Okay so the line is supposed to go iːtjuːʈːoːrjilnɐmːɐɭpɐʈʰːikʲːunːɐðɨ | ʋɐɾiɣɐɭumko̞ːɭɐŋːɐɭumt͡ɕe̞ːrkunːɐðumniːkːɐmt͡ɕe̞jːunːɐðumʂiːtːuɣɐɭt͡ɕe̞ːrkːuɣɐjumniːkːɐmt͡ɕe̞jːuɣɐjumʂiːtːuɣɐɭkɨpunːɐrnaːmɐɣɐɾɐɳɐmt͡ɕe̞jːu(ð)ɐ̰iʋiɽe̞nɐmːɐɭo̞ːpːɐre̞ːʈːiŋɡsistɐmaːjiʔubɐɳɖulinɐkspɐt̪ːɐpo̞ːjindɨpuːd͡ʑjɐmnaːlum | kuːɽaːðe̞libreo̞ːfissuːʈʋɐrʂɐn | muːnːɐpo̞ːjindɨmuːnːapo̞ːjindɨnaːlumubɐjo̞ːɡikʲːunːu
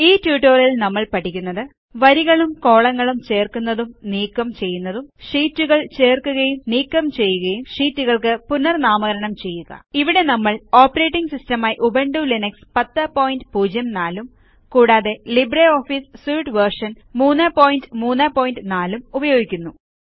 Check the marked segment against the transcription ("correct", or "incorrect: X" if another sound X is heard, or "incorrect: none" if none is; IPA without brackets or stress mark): incorrect: ɣ